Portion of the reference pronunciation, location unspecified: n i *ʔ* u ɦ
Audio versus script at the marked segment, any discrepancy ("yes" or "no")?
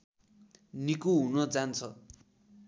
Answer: yes